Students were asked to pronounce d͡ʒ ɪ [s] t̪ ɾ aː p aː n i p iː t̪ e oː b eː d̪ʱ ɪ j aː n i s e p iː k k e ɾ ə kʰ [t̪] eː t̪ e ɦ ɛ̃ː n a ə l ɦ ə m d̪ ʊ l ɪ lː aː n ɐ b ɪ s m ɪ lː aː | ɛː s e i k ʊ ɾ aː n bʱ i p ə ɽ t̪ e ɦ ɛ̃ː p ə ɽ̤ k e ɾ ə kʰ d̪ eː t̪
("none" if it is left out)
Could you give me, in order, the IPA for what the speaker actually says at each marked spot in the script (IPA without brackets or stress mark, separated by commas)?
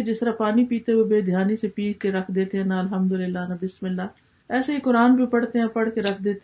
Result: s, d̪